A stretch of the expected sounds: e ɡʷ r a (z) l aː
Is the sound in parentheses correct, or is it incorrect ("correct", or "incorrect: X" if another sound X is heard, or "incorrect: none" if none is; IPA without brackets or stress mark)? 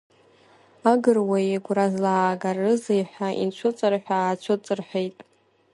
correct